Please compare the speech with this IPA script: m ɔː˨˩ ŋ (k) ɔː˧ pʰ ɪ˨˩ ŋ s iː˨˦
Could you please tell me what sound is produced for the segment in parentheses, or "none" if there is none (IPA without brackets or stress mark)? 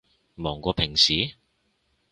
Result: k